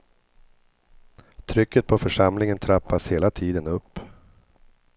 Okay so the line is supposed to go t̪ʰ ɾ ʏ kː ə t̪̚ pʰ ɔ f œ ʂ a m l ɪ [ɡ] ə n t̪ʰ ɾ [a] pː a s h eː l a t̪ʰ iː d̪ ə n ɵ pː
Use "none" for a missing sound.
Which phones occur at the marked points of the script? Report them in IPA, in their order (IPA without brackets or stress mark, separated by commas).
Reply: ŋ, a